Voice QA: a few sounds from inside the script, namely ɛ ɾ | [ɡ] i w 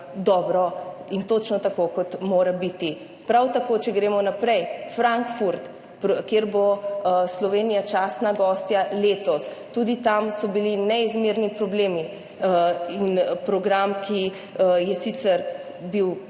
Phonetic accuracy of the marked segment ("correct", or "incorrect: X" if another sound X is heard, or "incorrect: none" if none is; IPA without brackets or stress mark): incorrect: b